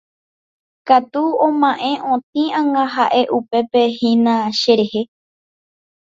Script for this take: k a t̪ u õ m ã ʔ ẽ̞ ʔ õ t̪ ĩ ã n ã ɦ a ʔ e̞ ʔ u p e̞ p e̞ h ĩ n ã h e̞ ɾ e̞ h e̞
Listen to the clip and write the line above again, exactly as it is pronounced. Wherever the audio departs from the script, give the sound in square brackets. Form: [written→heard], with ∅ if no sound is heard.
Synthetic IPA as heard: k a t̪ u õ m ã ʔ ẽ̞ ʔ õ t̪ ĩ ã [n→ŋ] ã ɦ a ʔ e̞ ʔ u p e̞ p e̞ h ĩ n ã [h→ʃ] e̞ ɾ e̞ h e̞